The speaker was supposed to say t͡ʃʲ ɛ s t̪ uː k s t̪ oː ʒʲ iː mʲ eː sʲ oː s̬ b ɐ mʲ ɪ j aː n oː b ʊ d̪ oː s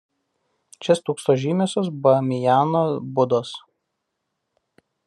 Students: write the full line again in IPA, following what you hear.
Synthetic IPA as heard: t͡ʃʲ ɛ s t̪ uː k s t̪ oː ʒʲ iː mʲ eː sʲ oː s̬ b ɐ mʲ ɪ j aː n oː b ʊ d̪ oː s